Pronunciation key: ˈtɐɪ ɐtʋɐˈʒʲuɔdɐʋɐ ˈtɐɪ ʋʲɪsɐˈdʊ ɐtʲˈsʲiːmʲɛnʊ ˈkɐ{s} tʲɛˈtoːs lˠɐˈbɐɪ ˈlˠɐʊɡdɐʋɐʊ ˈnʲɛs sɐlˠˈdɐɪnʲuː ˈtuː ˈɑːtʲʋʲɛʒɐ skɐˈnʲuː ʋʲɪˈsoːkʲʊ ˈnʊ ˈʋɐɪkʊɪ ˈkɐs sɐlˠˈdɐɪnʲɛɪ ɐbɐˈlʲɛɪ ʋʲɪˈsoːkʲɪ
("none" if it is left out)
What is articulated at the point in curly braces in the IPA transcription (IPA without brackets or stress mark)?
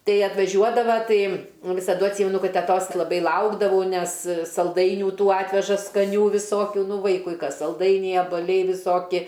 t